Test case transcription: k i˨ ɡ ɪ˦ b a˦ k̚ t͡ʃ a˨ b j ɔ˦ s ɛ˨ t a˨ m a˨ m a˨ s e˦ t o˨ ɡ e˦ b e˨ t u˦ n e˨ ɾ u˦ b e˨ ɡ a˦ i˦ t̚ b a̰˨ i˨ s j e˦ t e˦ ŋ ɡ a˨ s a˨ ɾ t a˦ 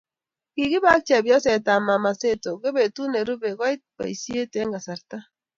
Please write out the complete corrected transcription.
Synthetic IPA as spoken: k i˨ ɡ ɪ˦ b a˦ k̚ t͡ʃ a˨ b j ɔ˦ s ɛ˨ t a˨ m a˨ m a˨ s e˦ t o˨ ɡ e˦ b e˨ t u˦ n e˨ ɾ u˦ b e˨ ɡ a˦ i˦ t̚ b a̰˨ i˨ s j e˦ t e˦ ŋ ɡ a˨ s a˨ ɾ t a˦